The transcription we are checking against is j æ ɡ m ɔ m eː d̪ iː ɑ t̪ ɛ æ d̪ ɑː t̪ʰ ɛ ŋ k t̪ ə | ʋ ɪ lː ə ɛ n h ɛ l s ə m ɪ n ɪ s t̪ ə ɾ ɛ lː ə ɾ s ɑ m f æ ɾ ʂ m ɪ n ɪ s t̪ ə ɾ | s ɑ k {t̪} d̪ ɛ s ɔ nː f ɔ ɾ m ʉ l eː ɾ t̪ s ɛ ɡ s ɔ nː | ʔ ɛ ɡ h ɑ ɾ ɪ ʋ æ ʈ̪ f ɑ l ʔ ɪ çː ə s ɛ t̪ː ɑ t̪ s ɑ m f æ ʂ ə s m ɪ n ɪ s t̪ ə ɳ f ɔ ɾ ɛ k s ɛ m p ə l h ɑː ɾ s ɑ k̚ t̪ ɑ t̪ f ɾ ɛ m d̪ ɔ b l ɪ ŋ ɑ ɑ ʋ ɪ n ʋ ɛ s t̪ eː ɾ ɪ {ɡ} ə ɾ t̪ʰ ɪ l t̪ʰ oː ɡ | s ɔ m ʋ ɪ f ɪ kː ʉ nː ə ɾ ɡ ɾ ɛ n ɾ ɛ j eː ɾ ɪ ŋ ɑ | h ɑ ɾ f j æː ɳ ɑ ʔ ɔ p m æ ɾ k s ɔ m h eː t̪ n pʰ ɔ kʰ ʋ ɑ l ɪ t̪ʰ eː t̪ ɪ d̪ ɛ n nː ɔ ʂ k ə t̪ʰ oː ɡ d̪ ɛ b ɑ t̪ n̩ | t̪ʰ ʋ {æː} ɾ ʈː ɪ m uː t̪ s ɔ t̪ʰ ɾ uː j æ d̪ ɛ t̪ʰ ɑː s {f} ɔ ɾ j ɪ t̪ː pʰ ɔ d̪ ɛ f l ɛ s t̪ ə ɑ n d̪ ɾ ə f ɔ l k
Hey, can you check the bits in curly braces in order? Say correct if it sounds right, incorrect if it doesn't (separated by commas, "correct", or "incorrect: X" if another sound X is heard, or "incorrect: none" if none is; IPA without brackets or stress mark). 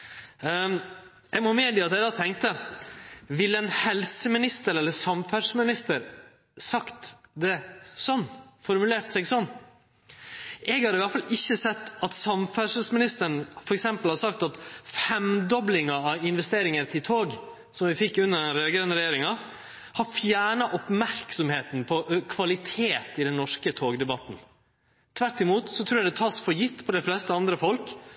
correct, incorrect: ŋ, incorrect: æ, correct